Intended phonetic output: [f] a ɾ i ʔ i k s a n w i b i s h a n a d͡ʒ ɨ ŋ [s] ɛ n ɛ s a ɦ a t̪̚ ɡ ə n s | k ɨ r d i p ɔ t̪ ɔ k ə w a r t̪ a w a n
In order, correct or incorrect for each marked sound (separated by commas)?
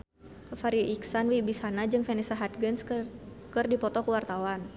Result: correct, incorrect